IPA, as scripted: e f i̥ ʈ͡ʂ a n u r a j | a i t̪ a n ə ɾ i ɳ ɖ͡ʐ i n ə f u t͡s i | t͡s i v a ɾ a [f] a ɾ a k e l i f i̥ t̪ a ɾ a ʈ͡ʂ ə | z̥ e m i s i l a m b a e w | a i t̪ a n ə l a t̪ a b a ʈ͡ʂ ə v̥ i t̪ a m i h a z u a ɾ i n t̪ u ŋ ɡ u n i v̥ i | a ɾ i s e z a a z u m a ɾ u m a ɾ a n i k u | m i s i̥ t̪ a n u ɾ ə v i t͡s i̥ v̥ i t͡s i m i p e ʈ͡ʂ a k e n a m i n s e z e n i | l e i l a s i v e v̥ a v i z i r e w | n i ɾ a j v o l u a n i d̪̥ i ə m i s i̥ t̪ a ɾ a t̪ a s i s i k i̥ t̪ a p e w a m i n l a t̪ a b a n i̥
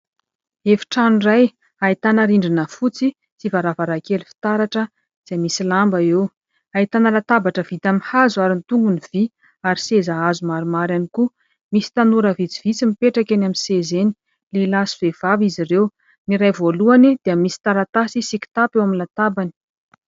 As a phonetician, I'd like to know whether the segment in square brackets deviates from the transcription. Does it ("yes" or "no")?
yes